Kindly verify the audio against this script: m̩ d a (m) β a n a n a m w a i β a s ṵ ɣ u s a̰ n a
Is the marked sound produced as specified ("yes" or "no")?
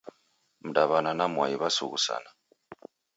no